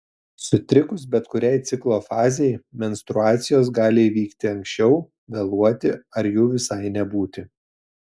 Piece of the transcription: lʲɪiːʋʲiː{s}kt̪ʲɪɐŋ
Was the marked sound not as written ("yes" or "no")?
yes